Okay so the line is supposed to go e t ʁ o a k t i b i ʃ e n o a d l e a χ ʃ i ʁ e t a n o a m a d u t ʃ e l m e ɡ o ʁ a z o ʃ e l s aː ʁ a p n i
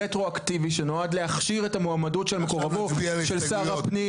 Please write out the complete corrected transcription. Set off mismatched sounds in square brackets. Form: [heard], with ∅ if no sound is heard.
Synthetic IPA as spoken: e t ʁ o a k t i [v] i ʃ e n o a d l e a χ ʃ i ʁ e t a [m] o a m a d u t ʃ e l m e [k] o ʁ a [v] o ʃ e l s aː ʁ a p n i